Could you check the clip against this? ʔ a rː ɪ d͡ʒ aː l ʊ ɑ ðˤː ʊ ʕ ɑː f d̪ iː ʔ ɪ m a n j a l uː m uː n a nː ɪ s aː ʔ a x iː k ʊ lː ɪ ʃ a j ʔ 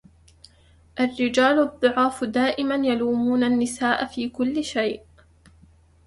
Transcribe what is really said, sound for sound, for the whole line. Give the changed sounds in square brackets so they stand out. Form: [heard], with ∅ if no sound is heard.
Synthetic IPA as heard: ʔ a rː ɪ d͡ʒ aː l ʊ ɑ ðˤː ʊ ʕ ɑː f d̪ [aː] ʔ ɪ m a n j a l uː m uː n a nː ɪ s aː ʔ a [f] iː k ʊ lː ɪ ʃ a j ʔ